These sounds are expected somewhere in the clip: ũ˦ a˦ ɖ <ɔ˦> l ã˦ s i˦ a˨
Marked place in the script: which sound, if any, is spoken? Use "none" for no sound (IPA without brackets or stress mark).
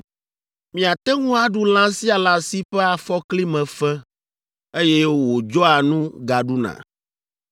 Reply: u˦